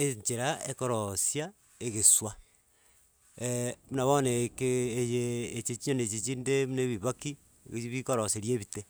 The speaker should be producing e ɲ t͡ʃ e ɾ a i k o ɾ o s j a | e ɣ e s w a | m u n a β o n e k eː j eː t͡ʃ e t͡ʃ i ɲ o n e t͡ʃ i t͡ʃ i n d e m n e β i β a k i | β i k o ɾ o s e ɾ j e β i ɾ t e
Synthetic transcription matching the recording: e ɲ t͡ʃ e ɾ a e k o ɾ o s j a | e ɣ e s w a | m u n a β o n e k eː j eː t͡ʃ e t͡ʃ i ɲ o n e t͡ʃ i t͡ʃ i n d e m n e β i β a k i | β i k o ɾ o s e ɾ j e β i t e